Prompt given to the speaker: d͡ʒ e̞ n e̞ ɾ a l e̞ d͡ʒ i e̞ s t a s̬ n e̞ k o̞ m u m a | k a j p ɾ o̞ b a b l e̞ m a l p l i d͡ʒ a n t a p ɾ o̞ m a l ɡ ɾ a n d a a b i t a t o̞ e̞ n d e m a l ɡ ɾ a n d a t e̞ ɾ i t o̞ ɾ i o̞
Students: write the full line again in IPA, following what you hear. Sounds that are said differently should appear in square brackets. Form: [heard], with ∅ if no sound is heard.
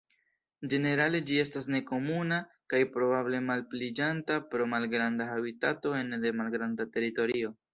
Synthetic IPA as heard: d͡ʒ e̞ n e̞ ɾ a l e̞ d͡ʒ i e̞ s t a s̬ n e̞ k o̞ m u [n] a | k a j p ɾ o̞ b a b l e̞ m a l p l i d͡ʒ a n t a p ɾ o̞ m a l ɡ ɾ a n d a a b i t a t o̞ e̞ n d e m a l ɡ ɾ a n d a t e̞ ɾ i t o̞ ɾ i o̞